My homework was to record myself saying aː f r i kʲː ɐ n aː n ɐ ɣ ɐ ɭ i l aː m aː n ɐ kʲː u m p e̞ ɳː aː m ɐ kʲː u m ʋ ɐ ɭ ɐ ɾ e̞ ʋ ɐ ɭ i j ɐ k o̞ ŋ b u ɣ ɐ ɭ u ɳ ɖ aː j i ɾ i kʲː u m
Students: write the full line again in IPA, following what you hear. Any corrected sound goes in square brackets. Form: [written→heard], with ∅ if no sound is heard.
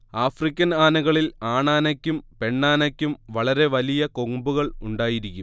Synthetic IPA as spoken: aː f r i kʲː ɐ n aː n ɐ ɣ ɐ ɭ i l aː [m→ɳ] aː n ɐ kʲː u m p e̞ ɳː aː [m→n] ɐ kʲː u m ʋ ɐ ɭ ɐ ɾ e̞ ʋ ɐ [ɭ→l] i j ɐ k o̞ ŋ b u ɣ ɐ ɭ u ɳ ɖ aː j i ɾ i kʲː u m